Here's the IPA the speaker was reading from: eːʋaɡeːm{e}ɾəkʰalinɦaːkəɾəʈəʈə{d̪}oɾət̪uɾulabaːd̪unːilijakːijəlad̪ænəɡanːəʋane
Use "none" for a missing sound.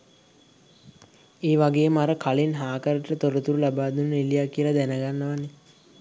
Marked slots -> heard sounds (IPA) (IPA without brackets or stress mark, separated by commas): a, t̪